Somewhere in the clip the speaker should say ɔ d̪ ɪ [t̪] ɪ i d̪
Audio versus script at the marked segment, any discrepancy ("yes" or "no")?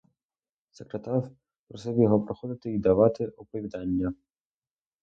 no